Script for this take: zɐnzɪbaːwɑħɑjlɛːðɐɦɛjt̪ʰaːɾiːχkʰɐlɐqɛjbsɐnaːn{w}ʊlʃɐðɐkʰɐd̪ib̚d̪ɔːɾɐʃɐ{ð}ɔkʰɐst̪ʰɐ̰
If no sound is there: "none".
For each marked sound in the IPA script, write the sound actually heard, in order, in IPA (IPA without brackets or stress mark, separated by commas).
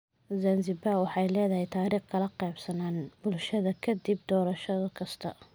b, ð